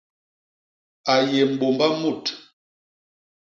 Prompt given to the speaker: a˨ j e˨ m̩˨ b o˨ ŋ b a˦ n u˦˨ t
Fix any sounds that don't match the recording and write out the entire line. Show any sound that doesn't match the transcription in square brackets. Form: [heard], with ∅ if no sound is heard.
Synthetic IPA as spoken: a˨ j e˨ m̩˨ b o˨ [m] b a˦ [m] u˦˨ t